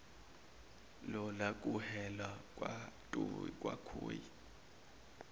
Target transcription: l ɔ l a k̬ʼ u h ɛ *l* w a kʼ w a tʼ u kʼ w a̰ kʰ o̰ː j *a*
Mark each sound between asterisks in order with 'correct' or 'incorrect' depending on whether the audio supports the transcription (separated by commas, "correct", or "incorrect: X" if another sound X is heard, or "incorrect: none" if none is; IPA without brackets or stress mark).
correct, incorrect: i